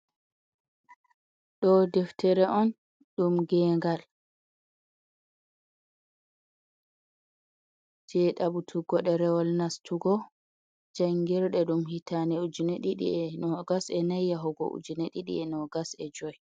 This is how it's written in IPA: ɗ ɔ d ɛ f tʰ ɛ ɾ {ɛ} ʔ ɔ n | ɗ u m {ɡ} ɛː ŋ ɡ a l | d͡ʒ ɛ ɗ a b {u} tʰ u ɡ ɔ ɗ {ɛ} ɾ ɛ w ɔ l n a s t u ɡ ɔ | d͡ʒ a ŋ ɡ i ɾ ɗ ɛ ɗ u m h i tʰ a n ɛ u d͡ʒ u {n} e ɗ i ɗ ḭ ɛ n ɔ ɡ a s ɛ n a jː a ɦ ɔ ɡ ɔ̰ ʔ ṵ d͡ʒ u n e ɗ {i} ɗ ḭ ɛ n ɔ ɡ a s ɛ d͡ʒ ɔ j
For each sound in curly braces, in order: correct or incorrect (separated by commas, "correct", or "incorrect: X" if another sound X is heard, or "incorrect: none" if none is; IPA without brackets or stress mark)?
correct, correct, correct, correct, correct, correct